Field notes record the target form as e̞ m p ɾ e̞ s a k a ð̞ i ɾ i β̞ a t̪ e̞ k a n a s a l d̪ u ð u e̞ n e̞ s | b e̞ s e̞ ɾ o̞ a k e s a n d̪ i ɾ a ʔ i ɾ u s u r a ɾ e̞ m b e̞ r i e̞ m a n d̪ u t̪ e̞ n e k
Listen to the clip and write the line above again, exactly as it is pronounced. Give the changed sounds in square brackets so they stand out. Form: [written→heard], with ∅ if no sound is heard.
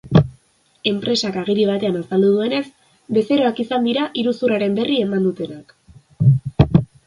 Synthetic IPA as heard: e̞ m p ɾ e̞ s a k a [ð̞→ɣ̞] i ɾ i β̞ a t̪ e̞ [k→∅] a n a s a l d̪ u ð u e̞ n e̞ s | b e̞ s e̞ ɾ o̞ a k [e→i] s a n d̪ i ɾ a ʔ i ɾ u s u r a ɾ e̞ m b e̞ r i e̞ m a n d̪ u t̪ e̞ n [e→a] k